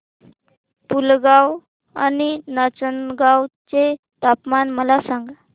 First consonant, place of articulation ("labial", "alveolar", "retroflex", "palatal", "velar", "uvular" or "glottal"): labial